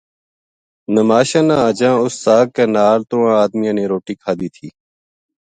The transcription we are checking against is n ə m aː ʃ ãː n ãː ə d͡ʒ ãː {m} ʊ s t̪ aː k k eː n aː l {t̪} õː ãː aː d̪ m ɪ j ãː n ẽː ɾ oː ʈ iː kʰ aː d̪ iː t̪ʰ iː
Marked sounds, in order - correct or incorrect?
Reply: incorrect: none, correct

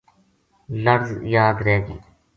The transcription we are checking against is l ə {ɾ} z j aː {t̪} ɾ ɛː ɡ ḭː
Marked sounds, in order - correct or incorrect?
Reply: correct, incorrect: d̪

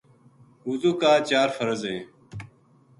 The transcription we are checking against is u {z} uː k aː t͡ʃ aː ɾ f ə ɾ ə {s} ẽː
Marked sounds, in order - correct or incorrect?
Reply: correct, incorrect: z

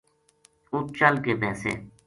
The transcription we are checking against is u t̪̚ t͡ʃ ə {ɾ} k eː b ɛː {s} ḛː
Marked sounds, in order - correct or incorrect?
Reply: incorrect: l, correct

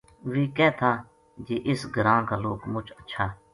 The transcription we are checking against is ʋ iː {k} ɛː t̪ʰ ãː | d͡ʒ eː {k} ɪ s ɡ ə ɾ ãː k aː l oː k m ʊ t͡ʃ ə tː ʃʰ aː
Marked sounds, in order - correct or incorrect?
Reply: correct, incorrect: ʔ

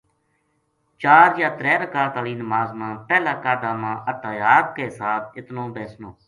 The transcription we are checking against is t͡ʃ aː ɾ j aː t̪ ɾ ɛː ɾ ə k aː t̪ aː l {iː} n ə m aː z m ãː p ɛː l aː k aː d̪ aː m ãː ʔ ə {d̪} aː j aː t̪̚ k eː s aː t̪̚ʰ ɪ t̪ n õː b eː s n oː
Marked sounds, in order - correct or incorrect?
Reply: correct, incorrect: t̪

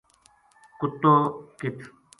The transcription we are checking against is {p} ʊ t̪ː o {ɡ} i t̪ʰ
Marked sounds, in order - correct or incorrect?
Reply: incorrect: k, incorrect: k

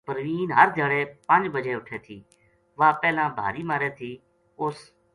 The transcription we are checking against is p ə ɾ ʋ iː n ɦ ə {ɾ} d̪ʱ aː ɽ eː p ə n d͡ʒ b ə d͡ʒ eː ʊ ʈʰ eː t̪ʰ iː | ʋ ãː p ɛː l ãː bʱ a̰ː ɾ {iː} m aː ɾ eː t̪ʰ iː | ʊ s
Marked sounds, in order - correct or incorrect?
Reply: correct, correct

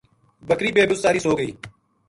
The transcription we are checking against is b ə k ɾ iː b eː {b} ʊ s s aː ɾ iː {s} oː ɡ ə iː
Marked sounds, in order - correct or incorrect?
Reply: correct, correct

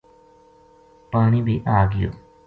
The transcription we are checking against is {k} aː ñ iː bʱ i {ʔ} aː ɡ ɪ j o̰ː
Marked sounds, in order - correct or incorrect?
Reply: incorrect: p, correct

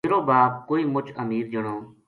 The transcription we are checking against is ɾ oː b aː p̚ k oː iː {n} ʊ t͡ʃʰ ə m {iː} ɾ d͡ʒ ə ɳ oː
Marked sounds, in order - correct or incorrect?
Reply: incorrect: m, correct

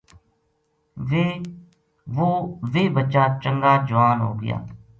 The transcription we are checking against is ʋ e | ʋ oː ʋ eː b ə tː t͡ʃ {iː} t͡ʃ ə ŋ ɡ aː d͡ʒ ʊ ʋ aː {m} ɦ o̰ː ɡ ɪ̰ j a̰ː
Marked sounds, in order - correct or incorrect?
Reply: incorrect: aː, incorrect: n

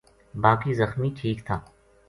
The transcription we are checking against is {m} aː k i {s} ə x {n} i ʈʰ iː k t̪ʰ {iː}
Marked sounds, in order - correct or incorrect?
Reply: incorrect: b, incorrect: z, incorrect: m, incorrect: aː

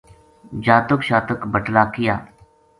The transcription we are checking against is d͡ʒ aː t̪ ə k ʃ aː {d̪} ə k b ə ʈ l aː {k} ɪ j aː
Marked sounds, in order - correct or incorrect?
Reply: incorrect: t̪, correct

